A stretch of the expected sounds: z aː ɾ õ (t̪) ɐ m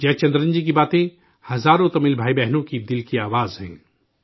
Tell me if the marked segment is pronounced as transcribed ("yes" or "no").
yes